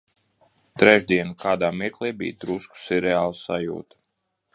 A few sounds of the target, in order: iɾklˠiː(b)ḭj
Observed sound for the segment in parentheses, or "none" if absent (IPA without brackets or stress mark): b